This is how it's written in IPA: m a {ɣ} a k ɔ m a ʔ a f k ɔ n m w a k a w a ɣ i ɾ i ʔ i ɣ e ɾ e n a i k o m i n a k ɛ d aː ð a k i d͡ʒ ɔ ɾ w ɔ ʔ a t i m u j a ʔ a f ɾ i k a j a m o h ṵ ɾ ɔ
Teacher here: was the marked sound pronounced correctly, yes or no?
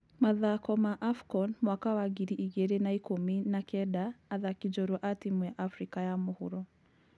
no